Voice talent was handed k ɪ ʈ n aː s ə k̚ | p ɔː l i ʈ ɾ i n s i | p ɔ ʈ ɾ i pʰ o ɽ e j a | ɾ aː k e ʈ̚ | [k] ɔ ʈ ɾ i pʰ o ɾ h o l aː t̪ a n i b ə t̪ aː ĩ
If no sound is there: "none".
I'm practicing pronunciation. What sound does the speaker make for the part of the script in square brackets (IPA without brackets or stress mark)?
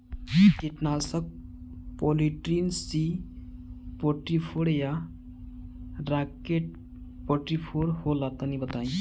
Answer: p